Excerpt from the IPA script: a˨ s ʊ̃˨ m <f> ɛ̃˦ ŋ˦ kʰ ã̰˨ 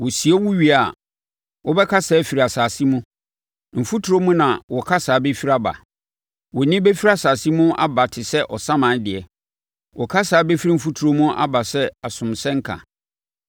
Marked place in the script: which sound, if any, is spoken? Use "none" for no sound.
s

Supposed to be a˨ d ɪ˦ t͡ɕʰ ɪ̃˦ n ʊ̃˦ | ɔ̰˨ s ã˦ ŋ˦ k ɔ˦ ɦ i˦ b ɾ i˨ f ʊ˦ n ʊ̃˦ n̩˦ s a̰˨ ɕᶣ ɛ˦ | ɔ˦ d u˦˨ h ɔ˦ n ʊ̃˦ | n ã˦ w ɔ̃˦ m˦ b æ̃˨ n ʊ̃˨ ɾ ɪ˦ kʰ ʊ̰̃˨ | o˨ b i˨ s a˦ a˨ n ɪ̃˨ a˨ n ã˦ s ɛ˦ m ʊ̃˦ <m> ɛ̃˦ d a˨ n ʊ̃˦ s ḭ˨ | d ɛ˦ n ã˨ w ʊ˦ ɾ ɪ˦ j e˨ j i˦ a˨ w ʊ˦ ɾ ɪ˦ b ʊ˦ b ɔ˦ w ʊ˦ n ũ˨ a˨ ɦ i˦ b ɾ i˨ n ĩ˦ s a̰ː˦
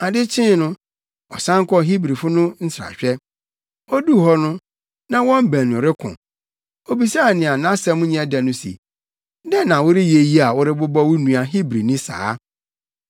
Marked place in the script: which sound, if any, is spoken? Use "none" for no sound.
ɲ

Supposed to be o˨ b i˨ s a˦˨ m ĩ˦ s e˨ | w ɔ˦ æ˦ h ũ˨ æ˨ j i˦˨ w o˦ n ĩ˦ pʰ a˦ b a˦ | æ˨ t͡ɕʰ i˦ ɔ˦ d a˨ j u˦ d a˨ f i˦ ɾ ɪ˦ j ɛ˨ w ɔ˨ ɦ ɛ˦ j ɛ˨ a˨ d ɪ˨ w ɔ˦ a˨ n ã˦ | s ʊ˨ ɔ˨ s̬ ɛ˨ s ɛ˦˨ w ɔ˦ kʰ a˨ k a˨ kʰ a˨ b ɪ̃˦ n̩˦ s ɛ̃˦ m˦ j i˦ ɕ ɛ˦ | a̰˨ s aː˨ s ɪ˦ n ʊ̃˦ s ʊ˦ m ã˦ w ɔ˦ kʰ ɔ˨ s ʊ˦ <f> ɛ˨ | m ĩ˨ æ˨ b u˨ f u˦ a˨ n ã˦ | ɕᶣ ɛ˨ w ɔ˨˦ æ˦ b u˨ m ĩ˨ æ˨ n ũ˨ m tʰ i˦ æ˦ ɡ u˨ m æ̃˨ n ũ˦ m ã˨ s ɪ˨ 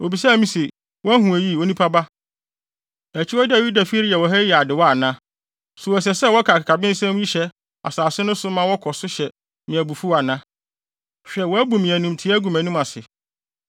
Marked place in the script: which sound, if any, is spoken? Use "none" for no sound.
ɕ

